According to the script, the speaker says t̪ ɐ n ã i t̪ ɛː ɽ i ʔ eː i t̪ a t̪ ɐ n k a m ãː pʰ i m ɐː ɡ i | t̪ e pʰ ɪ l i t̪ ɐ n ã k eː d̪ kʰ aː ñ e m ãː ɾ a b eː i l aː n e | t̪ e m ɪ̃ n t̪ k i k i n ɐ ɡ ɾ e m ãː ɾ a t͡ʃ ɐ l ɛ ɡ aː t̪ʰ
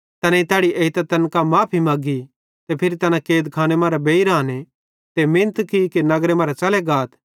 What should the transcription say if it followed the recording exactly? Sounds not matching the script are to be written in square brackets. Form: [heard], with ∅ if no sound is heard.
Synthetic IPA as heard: t̪ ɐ n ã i t̪ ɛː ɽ i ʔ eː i t̪ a t̪ ɐ n k a m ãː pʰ i m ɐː ɡ i | t̪ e pʰ ɪ [ɾ] i t̪ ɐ n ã k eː d̪ kʰ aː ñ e m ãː ɾ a b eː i [ɾ] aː n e | t̪ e m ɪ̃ n t̪ k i k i n ɐ ɡ ɾ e m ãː ɾ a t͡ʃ ɐ l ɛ ɡ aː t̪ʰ

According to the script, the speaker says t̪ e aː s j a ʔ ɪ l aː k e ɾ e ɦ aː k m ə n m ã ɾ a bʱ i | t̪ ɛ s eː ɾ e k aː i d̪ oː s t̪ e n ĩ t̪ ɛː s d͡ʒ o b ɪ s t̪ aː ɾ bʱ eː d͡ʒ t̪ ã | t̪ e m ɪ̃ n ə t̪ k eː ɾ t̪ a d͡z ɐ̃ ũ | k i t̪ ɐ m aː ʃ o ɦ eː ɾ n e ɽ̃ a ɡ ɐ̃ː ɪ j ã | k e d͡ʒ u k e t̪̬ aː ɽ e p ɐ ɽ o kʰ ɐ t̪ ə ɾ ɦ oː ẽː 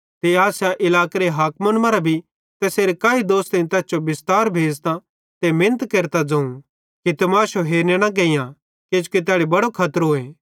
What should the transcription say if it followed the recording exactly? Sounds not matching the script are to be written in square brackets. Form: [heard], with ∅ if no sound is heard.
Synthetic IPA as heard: t̪ e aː s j a ʔ ɪ l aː k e ɾ e ɦ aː k m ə n m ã ɾ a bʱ i | t̪ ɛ s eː ɾ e k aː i d̪ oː s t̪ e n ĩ t̪ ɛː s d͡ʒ o b ɪ s t̪ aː ɾ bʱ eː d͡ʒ t̪ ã | t̪ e m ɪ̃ n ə t̪ k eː ɾ t̪ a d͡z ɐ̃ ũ | k i t̪ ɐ m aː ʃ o ɦ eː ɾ n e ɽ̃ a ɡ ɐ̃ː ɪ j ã | k e d͡ʒ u k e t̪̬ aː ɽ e [b] ɐ ɽ o kʰ ɐ t̪ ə ɾ ɦ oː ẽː

